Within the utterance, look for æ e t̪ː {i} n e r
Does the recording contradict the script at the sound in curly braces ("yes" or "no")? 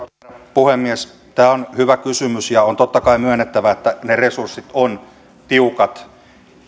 yes